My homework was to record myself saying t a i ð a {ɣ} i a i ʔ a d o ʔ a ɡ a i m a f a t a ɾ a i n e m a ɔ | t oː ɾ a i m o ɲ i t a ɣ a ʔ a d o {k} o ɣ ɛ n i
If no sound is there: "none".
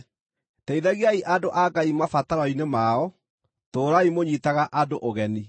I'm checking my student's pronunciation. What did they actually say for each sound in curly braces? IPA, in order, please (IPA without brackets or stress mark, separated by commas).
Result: ɣ, ʔ